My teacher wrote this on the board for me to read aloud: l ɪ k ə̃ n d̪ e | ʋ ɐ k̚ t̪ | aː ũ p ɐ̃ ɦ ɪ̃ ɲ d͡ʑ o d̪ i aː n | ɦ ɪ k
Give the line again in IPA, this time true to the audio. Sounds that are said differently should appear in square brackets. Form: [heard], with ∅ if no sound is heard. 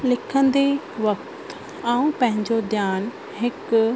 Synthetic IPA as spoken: l ɪ [kʰ] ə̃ n d̪ e | ʋ ɐ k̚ t̪ | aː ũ p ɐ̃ ɦ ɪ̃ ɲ d͡ʑ o d̪ [j] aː n | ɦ ɪ k